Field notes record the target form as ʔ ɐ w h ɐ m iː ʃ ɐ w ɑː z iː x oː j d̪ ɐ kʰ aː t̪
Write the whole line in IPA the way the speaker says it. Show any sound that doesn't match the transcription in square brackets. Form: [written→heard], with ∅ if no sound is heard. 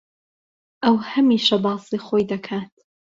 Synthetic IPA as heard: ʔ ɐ w h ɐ m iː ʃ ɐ [w→b] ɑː [z→s] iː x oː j d̪ ɐ kʰ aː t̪